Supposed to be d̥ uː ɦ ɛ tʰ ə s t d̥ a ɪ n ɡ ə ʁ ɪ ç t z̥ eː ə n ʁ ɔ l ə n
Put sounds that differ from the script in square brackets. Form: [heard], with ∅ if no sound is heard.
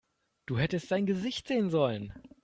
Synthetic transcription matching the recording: d̥ uː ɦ ɛ [t] ə s t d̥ a ɪ n ɡ ə [z] ɪ ç t z̥ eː ə n [z] ɔ l ə n